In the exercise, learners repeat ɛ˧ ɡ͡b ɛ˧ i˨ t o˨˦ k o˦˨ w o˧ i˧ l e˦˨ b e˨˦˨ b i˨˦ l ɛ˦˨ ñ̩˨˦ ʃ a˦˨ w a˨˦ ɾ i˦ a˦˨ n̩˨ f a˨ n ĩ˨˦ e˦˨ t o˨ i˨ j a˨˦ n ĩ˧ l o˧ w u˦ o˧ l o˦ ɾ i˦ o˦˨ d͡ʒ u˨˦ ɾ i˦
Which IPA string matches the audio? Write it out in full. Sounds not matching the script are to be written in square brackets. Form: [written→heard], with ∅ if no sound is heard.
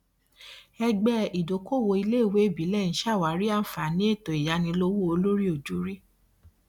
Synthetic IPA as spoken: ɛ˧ ɡ͡b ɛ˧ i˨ [t→d] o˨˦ k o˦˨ w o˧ i˧ l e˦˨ [b→w] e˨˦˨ b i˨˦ l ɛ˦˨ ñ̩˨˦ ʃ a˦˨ w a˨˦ ɾ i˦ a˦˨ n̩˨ f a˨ n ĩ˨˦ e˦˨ t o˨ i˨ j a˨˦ n ĩ˧ l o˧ w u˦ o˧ l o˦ ɾ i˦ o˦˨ d͡ʒ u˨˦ ɾ i˦